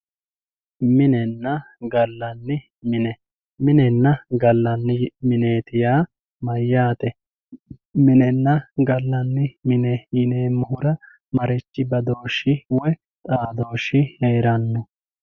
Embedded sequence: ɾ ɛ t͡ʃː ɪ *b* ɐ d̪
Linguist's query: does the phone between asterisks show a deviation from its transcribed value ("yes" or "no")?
no